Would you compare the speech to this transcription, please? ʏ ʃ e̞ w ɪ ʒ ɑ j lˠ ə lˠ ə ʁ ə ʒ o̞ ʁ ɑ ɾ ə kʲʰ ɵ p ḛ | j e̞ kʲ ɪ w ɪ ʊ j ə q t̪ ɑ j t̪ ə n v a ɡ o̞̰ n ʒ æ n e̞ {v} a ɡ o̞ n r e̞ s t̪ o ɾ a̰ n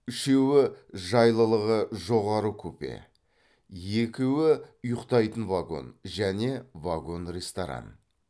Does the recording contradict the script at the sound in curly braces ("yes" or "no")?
no